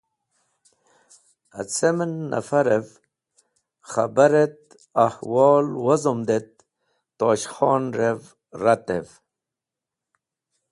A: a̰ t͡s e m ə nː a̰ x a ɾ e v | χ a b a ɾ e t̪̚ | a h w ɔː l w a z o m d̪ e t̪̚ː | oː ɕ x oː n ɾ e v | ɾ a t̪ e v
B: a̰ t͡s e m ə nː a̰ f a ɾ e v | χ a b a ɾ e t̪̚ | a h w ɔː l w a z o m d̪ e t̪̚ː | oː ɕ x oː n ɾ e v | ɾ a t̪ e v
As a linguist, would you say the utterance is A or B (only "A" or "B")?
B